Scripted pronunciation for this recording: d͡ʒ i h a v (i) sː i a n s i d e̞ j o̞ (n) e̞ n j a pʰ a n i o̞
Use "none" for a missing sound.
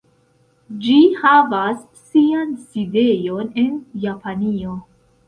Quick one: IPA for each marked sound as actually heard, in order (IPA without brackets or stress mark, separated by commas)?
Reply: a, n